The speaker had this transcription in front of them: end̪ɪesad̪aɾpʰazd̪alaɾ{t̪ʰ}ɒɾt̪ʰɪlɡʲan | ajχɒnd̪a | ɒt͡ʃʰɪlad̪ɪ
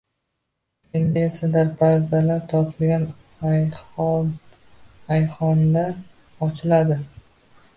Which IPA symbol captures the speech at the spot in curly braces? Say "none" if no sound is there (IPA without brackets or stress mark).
t̪ʰ